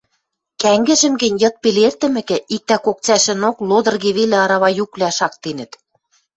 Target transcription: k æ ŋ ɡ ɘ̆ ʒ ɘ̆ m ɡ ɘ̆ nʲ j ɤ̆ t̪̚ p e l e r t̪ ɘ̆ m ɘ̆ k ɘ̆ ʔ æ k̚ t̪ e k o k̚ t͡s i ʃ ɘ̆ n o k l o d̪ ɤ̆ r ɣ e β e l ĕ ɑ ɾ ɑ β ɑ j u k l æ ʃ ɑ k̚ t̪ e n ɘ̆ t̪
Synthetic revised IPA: k æ ŋ ɡ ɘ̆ ʒ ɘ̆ m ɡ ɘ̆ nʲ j ɤ̆ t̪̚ p e l e r t̪ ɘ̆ m ɘ̆ k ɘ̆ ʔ i k̚ t̪ æ k o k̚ t͡s æ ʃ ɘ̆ n o k l o d̪ ɤ̆ r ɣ e β e l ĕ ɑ ɾ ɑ β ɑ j u k l æ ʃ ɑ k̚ t̪ e n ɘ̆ t̪